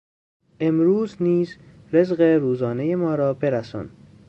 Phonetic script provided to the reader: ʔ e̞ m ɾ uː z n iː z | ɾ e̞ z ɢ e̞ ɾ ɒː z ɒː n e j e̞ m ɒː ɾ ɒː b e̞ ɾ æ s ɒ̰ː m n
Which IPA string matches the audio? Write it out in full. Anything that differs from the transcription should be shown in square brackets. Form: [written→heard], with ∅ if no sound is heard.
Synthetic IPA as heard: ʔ e̞ m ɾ uː z n iː z | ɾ e̞ z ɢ e̞ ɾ [ɒː→uː] z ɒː n e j e̞ m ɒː ɾ ɒː b e̞ ɾ æ s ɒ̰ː [m→∅] n